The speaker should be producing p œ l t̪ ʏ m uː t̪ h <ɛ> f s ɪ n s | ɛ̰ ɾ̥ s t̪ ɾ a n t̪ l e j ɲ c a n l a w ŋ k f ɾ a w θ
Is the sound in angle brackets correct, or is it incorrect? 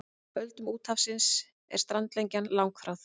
incorrect